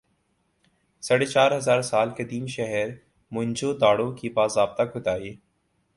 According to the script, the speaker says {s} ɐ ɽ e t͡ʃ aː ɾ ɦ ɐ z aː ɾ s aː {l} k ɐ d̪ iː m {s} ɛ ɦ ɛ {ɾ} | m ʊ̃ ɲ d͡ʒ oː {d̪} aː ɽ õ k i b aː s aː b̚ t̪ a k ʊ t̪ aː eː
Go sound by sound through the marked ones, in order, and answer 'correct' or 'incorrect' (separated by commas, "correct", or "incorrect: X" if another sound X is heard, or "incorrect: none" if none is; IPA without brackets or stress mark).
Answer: correct, correct, incorrect: ʃ, correct, correct